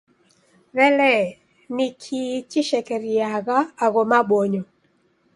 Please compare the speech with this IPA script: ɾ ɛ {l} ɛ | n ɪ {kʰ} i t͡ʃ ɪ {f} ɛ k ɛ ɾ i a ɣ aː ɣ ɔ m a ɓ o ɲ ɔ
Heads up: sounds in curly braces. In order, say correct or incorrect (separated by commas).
correct, correct, incorrect